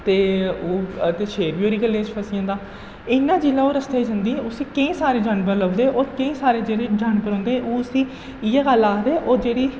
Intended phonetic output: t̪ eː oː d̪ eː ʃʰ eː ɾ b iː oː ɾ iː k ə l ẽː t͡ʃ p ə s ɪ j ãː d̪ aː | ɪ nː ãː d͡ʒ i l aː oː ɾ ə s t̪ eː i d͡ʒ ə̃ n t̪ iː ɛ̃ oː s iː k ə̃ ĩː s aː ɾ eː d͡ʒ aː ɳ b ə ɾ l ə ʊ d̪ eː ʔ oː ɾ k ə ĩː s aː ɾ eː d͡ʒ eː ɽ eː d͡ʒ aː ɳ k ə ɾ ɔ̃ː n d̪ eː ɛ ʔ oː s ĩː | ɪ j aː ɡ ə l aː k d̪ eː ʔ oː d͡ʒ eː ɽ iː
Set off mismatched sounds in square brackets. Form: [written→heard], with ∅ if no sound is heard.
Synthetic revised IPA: t̪ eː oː [d̪→t̪] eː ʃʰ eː ɾ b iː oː ɾ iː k ə l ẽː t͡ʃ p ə s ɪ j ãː d̪ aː | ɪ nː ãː d͡ʒ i l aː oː ɾ ə s t̪ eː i d͡ʒ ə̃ n [t̪→d̪] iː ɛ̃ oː s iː k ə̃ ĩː s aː ɾ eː d͡ʒ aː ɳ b ə ɾ l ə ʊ d̪ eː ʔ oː ɾ k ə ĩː s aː ɾ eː d͡ʒ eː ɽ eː d͡ʒ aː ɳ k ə ɾ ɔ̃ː n d̪ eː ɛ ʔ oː s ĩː | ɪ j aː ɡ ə l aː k d̪ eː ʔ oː d͡ʒ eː ɽ iː